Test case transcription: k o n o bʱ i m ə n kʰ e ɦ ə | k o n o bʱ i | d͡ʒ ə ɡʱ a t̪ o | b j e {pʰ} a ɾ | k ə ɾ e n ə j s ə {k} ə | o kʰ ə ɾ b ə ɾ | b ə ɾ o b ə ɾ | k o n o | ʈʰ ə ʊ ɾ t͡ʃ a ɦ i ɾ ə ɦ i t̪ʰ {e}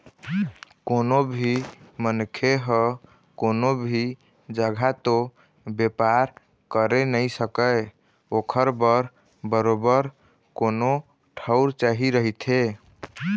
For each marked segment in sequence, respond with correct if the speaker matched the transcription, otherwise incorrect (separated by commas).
incorrect, correct, correct